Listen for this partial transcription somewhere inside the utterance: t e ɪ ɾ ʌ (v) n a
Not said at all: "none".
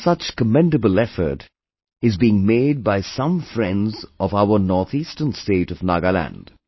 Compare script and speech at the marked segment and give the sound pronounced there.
v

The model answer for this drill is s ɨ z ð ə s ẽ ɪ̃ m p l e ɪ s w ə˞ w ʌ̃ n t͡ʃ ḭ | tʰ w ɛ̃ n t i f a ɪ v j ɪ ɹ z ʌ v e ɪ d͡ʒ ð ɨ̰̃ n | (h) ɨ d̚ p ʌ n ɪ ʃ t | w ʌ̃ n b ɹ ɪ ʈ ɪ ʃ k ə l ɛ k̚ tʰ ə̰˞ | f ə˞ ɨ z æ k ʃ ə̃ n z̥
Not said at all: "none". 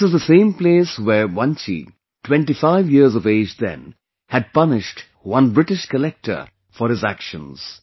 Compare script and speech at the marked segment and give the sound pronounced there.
h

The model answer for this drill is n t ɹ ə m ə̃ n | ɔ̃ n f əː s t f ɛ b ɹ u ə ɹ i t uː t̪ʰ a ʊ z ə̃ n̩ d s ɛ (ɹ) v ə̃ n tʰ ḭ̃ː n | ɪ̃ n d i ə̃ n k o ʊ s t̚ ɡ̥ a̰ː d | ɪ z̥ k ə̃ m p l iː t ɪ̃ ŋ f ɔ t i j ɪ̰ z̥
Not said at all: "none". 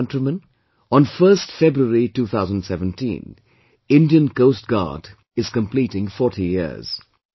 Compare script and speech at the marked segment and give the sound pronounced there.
none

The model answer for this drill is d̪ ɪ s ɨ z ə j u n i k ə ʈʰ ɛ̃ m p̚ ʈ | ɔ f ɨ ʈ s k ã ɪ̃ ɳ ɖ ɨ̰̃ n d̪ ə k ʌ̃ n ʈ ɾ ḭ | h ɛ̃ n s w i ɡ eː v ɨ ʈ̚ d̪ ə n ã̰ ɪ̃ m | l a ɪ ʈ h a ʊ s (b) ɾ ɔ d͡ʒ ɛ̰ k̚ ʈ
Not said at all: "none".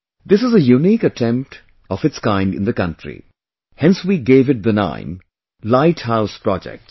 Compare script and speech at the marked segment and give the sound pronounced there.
p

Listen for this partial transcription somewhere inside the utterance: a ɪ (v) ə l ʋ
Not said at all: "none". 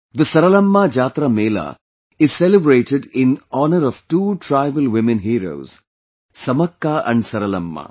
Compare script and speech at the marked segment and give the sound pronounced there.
ʋ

